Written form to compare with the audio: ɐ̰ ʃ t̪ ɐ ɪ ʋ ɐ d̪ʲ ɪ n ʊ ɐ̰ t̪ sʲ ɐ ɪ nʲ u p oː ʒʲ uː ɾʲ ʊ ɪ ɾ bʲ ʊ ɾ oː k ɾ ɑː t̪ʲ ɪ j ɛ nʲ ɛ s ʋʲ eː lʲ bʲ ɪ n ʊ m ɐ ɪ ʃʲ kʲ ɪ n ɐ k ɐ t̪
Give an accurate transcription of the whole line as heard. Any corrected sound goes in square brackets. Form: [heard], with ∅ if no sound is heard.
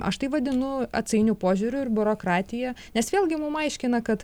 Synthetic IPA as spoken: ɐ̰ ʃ t̪ ɐ ɪ ʋ ɐ d̪ʲ ɪ n ʊ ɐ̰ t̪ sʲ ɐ ɪ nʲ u p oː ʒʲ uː ɾʲ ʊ ɪ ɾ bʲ ʊ ɾ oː k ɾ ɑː t̪ʲ ɪ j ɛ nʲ ɛ s ʋʲ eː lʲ [ɡʲ] ɪ [m] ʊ m ɐ ɪ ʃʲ kʲ ɪ n ɐ k ɐ t̪